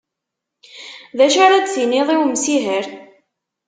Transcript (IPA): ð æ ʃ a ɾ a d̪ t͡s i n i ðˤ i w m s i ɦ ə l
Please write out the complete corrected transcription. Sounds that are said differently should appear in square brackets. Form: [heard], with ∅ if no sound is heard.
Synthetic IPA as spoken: ð æ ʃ a ɾ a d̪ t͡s i n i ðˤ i w m s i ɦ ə [ɾ]

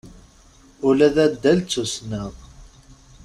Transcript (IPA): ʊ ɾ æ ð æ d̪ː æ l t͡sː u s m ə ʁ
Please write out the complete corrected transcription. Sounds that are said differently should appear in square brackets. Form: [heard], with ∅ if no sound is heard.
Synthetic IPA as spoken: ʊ [l] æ ð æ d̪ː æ l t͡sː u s [n] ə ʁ

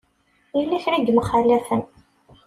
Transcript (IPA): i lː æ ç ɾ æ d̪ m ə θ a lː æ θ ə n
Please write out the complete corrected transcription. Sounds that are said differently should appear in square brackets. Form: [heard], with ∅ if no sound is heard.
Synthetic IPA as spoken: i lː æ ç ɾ [i] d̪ m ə [χ] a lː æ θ ə n

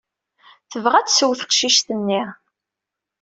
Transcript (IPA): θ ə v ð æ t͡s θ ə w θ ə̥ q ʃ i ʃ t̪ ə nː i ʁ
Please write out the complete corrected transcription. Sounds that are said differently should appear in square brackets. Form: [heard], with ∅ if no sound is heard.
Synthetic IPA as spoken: θ ə v [ʁ] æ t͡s [s] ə w θ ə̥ q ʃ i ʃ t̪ ə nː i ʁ

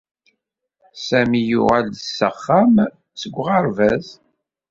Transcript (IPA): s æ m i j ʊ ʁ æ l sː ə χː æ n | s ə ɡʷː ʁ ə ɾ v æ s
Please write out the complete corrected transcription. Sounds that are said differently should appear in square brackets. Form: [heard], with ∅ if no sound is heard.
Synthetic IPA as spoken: s æ m i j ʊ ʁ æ l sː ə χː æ [m] | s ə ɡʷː ʁ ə ɾ v æ [z]

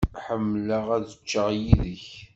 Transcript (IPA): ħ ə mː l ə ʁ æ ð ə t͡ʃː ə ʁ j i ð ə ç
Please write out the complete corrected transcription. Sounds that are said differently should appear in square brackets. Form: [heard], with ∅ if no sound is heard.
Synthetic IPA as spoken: ħ ə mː l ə ʁ æ ð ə t͡ʃː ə ʁ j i ð ə ç

